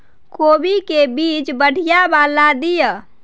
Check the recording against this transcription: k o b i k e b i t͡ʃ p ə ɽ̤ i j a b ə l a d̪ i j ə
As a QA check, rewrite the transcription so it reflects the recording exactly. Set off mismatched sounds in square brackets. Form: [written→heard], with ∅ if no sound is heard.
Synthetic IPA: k o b i k e b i t͡ʃ [p→b] ə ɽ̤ i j a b [ə→a] l a d̪ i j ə